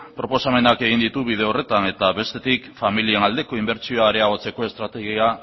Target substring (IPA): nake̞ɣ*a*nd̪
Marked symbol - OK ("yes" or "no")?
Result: no